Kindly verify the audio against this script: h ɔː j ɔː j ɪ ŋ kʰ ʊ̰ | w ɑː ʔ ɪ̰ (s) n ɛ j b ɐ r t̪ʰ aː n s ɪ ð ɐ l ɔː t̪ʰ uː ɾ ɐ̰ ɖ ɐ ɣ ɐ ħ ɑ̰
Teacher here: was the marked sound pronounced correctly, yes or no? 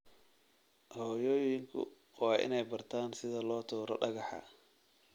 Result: no